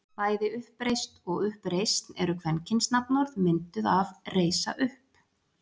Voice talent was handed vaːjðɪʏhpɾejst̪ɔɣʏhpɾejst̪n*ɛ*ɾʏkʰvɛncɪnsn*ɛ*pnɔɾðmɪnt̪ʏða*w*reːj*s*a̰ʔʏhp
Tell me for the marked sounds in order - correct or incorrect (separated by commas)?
correct, incorrect, incorrect, correct